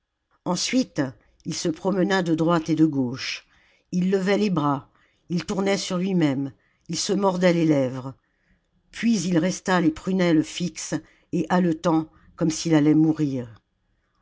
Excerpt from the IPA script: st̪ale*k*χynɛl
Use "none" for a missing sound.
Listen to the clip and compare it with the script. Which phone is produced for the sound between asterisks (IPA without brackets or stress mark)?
p